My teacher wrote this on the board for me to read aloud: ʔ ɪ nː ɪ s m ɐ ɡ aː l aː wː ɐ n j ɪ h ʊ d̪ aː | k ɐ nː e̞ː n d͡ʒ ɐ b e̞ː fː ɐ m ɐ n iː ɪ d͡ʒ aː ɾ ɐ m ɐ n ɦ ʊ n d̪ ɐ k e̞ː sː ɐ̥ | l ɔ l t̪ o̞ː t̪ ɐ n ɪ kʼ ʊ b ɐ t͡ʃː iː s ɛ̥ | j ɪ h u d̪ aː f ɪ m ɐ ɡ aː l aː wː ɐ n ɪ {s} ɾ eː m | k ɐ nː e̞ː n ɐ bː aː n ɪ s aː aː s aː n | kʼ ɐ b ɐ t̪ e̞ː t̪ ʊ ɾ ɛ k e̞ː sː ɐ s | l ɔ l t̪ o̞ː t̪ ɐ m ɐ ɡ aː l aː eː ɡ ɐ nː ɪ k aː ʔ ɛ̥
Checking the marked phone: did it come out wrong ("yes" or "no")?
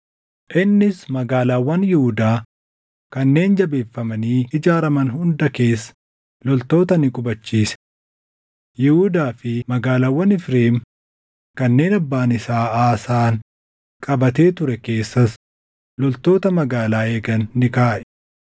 yes